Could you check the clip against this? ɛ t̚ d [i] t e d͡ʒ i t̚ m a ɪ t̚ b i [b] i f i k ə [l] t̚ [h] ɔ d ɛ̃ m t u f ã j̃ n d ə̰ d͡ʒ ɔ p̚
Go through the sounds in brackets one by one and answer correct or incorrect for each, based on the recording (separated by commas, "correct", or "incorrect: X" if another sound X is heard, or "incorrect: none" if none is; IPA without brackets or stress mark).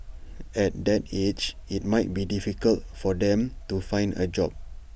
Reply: incorrect: ɛ, incorrect: d, correct, incorrect: f